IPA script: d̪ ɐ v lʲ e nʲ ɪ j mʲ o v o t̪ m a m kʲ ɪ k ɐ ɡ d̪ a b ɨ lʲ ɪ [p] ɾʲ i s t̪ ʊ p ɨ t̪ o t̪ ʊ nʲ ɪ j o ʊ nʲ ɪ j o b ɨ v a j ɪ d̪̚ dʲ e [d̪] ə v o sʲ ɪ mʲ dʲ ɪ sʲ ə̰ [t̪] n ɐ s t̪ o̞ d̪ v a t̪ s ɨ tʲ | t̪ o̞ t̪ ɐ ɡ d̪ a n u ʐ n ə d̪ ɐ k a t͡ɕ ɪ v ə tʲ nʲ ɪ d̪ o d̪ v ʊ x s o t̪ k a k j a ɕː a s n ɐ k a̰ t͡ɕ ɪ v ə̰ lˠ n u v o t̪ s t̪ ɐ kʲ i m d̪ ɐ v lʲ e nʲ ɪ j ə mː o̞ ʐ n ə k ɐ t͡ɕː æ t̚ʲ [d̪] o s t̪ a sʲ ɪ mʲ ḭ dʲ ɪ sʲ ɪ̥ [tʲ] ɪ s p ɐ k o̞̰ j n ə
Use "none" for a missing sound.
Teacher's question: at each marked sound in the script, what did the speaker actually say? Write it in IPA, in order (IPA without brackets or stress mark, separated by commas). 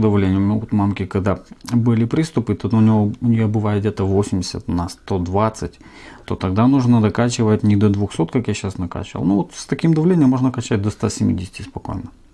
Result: p, t̪, t̪, d̪, tʲ